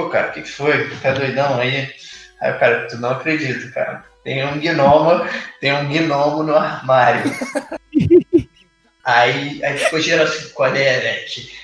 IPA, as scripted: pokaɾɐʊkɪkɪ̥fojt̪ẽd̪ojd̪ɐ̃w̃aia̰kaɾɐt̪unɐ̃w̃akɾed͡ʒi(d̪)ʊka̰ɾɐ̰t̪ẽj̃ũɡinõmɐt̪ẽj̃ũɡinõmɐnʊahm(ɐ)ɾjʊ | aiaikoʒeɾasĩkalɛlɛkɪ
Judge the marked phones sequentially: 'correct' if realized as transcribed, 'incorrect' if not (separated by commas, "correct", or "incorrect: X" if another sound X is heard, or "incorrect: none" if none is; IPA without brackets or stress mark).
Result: incorrect: t̪, incorrect: a